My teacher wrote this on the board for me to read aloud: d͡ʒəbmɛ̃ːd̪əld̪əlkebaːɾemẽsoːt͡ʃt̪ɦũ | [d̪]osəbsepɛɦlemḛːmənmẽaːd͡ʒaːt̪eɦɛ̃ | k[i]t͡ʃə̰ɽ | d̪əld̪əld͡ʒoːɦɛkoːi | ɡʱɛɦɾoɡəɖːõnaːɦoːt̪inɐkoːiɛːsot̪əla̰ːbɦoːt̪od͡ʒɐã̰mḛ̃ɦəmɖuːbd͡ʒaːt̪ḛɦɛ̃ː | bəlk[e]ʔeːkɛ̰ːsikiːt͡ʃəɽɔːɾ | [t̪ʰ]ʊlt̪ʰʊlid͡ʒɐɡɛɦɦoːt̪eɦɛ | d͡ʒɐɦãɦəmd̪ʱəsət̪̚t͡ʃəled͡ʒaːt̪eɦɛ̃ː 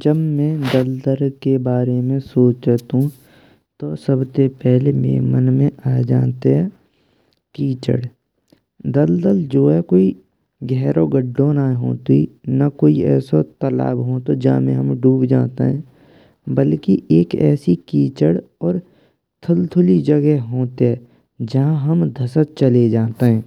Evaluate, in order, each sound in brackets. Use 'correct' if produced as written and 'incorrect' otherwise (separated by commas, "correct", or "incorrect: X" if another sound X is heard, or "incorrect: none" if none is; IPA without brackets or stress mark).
incorrect: t̪, incorrect: iː, incorrect: i, correct